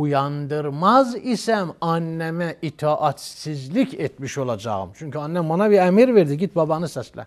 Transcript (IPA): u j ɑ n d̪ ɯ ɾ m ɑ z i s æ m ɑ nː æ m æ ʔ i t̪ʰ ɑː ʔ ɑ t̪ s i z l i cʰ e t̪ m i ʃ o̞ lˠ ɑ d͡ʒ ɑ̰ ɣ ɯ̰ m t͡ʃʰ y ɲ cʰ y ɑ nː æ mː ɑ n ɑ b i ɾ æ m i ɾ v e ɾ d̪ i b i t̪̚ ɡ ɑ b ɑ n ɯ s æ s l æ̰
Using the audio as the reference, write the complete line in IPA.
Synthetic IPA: u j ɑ n d̪ ɯ ɾ m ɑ z i s æ m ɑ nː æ m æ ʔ i t̪ʰ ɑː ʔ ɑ t̪ s i z l i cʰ e t̪ m i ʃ o̞ lˠ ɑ d͡ʒ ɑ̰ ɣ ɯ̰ m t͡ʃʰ y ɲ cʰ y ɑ nː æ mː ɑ n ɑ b i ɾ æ m i ɾ v e ɾ d̪ i ɟ i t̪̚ b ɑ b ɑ n ɯ s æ s l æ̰